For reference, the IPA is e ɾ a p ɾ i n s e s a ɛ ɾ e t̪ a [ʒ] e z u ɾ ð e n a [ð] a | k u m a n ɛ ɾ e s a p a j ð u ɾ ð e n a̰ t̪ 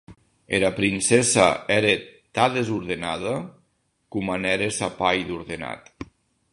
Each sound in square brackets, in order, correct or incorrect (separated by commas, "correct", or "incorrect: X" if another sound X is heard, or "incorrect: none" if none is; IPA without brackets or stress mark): incorrect: ð, correct